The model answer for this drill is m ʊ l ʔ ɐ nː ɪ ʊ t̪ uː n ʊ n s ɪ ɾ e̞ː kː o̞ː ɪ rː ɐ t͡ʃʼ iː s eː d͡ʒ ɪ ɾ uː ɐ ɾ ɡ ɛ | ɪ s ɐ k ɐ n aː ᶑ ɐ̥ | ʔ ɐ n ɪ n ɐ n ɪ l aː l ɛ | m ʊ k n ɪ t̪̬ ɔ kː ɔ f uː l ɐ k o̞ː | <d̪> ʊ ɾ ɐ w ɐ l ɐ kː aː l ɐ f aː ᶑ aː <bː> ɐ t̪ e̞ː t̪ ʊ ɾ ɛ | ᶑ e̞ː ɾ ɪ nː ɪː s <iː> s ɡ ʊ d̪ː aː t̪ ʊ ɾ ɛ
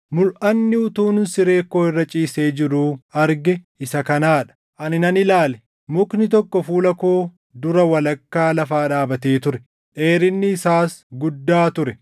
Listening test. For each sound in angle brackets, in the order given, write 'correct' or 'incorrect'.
correct, incorrect: b, incorrect: aː

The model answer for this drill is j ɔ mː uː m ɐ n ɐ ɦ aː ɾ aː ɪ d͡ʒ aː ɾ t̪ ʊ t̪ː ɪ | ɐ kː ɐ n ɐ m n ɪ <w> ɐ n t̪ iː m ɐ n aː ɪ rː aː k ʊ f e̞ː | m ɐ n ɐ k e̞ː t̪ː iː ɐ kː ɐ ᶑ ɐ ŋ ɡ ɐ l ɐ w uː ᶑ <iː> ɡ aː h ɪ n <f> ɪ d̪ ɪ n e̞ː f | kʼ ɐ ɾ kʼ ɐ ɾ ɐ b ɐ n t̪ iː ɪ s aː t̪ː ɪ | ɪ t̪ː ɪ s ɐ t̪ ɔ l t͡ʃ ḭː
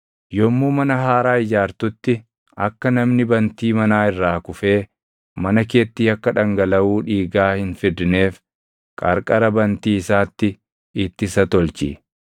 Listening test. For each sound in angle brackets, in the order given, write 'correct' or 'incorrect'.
incorrect: b, correct, correct

